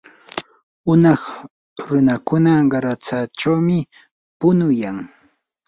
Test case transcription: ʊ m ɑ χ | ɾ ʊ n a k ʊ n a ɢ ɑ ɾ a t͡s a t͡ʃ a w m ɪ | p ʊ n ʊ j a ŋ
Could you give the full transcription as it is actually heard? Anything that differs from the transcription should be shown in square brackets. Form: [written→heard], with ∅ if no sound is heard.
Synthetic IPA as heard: ʊ [m→n] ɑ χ | ɾ ʊ n a k ʊ n a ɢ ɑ ɾ a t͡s a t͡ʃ a w m ɪ | p ʊ n ʊ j a ŋ